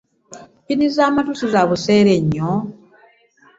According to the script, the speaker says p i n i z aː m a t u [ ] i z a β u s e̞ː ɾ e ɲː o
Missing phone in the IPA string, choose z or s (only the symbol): s